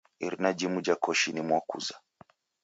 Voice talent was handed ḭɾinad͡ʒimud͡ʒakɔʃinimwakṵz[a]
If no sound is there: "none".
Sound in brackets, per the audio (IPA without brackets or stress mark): a